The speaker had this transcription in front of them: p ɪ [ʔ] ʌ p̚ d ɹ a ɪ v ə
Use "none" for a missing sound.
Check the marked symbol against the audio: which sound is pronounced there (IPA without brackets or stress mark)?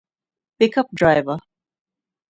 k